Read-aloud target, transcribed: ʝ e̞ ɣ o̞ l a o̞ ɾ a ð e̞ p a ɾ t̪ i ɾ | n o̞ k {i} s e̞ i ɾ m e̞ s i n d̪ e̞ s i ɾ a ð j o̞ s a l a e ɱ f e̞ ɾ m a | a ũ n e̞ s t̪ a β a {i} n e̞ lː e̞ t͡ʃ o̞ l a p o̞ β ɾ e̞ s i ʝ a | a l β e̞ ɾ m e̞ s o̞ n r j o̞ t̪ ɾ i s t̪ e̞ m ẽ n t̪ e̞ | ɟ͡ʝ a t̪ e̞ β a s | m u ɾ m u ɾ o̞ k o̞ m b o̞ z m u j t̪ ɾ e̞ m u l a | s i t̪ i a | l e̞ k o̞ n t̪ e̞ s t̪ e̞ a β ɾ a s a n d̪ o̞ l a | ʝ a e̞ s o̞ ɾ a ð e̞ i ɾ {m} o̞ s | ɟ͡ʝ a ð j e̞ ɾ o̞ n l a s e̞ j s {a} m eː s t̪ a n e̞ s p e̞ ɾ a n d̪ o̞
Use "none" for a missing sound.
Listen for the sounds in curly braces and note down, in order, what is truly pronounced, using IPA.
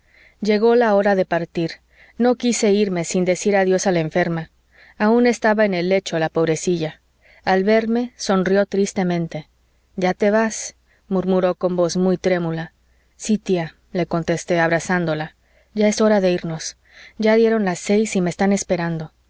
i, e, n, i

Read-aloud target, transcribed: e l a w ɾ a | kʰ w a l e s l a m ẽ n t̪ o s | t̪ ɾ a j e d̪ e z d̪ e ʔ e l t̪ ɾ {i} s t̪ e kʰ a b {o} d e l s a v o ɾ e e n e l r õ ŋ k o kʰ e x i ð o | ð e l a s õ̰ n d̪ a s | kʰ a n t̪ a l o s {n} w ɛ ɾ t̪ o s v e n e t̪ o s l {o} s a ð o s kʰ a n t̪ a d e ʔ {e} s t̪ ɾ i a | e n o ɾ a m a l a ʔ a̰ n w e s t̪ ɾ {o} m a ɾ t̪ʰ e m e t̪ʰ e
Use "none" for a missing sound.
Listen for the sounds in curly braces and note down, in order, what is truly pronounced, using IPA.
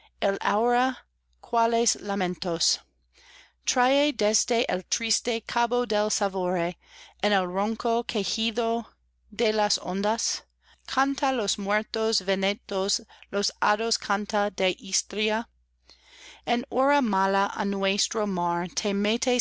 i, o, m, o, i, o

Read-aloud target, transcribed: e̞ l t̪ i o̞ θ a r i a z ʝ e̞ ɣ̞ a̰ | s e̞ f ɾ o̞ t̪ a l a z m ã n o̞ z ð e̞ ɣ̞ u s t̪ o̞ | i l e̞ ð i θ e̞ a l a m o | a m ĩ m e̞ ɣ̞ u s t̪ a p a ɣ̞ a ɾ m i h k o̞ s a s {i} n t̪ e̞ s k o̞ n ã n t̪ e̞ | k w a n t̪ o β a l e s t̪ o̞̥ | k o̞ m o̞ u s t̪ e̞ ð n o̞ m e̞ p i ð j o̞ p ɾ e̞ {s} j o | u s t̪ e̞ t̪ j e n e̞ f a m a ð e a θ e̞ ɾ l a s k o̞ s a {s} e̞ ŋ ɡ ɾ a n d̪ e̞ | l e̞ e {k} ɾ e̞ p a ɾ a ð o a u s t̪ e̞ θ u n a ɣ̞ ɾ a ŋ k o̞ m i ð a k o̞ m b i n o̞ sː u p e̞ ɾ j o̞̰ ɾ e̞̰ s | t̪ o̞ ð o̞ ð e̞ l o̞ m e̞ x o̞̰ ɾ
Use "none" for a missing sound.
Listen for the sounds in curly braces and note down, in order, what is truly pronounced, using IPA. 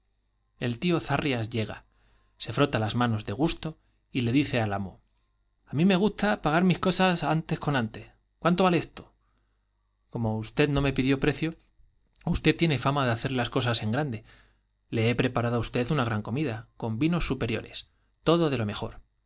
a, θ, s, p

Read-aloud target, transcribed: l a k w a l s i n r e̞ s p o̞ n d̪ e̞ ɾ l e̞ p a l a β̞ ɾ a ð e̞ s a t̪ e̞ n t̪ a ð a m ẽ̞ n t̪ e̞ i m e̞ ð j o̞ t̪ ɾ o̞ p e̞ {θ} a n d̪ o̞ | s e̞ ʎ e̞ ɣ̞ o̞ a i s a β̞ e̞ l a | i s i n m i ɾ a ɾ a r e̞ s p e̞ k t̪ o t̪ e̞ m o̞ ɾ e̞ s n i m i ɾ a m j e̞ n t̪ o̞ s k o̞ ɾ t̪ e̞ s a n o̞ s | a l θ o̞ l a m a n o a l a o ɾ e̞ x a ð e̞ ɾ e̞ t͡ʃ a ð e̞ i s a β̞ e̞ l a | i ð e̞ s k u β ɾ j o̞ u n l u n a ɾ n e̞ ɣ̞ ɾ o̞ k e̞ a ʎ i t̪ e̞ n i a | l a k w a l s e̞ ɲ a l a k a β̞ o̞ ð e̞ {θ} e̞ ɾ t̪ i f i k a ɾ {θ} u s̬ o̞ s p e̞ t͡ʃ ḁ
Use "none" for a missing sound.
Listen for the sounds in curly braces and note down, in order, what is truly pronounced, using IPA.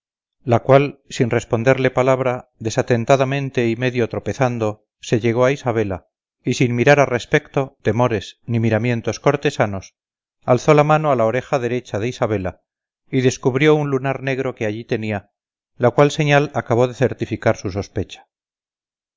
θ, θ, s

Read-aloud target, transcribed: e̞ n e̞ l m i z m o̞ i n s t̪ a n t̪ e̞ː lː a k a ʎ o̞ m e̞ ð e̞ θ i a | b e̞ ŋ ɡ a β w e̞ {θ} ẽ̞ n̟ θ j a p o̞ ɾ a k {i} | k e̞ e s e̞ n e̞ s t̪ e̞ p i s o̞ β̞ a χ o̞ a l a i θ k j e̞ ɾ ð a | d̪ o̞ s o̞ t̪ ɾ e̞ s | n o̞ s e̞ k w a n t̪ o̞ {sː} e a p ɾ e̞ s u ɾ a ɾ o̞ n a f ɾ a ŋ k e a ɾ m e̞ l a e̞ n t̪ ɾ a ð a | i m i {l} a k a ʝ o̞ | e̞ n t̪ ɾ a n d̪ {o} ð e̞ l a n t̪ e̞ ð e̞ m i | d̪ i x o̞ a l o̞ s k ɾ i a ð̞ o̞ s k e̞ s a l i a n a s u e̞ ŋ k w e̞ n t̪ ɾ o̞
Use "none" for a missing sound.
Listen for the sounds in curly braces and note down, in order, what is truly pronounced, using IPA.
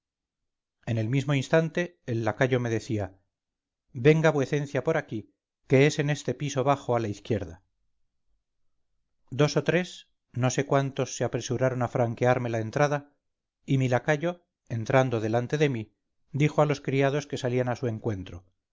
θ, i, sː, l, o

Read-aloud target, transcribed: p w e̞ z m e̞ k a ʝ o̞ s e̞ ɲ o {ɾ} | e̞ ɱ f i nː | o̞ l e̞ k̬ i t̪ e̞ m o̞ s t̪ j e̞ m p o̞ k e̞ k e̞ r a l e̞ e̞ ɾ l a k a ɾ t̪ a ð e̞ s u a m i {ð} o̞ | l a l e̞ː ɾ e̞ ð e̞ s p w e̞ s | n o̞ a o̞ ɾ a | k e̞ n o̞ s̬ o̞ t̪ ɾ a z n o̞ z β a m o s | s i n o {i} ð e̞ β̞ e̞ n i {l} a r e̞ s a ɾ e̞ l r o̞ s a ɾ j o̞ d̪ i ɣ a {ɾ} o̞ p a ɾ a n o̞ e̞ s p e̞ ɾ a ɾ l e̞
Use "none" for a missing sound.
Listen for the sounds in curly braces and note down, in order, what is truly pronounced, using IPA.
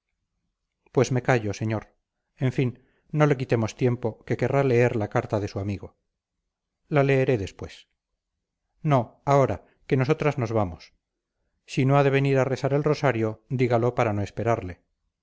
ɾ, ɣ, a, ɾ, l

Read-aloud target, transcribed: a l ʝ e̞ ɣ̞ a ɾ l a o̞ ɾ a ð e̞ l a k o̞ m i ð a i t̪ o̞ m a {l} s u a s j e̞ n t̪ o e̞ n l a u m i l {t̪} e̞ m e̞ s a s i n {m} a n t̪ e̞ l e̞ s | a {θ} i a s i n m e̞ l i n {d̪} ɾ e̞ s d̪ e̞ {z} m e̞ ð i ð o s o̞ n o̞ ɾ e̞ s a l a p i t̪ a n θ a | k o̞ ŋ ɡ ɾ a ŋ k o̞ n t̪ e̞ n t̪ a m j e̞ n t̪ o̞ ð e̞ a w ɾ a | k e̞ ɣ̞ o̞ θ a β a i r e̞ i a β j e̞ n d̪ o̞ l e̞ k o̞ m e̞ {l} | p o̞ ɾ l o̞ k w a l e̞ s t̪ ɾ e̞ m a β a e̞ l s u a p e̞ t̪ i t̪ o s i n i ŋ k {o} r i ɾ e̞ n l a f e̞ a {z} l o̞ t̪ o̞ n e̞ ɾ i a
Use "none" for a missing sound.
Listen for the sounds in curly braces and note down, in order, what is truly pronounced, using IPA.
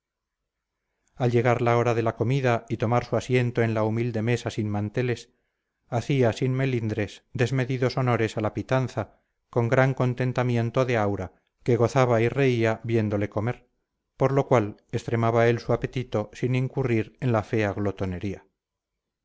ɾ, d̪, m, θ, d̪, z, ɾ, u, ɣ

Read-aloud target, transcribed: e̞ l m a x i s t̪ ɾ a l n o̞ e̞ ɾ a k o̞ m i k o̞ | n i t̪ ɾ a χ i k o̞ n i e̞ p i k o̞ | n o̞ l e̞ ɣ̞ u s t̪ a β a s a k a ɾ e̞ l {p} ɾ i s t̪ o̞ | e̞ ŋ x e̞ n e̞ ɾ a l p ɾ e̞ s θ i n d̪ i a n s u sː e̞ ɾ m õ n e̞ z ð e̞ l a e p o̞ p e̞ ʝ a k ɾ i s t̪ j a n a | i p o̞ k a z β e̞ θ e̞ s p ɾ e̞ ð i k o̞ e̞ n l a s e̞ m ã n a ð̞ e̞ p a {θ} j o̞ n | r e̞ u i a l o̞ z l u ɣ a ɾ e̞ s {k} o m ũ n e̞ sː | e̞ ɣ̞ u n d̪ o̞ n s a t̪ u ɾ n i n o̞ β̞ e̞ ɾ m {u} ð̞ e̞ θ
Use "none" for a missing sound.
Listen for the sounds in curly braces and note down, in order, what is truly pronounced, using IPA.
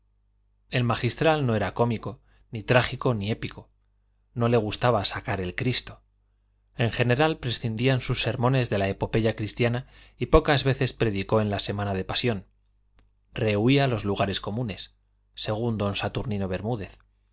k, s, k, u

